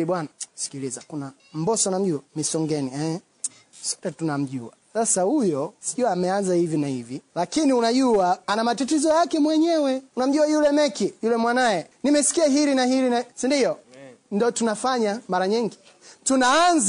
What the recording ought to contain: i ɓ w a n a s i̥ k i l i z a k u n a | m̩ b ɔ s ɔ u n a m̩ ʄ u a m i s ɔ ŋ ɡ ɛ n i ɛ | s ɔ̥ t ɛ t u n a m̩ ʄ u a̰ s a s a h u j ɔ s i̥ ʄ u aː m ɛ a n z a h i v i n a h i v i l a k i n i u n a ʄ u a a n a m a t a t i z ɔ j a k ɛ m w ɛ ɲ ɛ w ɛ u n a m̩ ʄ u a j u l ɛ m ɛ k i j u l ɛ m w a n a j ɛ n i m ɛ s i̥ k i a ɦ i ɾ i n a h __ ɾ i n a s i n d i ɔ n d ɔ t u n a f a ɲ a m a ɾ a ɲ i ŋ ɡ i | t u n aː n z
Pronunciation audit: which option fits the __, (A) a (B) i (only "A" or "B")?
B